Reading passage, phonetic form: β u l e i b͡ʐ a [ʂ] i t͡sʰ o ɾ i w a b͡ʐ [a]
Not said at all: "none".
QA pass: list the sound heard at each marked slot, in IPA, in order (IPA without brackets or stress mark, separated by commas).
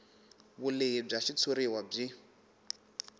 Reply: ʃ, i